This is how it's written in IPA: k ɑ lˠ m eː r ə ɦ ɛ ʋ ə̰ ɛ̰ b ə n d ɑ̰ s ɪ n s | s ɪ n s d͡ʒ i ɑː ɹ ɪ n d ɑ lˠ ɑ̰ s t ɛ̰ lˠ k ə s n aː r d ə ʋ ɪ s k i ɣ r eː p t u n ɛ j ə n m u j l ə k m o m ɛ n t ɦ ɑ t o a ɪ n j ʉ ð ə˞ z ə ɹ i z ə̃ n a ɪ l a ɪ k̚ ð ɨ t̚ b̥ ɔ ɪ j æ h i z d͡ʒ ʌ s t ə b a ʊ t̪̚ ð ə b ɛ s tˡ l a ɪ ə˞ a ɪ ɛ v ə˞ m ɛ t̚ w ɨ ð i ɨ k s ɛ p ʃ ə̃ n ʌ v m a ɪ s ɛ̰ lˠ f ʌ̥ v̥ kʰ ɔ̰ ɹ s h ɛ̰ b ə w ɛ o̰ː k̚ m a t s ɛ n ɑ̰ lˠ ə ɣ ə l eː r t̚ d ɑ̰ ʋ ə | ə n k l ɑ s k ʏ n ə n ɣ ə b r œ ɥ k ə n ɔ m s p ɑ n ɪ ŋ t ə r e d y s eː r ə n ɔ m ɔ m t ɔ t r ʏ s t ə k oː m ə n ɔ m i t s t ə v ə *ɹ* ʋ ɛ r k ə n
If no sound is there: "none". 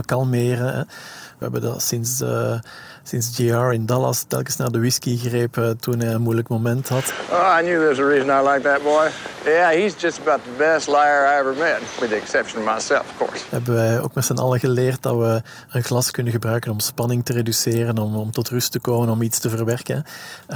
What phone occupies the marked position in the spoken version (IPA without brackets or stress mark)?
r